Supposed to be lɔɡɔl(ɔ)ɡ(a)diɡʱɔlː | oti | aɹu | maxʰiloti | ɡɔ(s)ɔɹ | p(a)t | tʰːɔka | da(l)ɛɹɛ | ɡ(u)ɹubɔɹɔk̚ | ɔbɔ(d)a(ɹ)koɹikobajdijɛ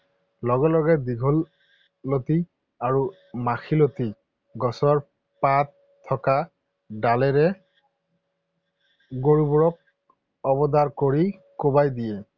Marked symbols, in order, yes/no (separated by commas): yes, no, yes, yes, yes, no, yes, yes